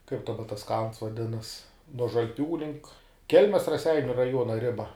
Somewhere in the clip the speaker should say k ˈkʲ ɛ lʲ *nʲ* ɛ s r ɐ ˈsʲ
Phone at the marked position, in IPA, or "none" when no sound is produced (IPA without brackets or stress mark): mʲ